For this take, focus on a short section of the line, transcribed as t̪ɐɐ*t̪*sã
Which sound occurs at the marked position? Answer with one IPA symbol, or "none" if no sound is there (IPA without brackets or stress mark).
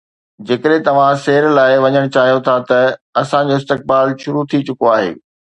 none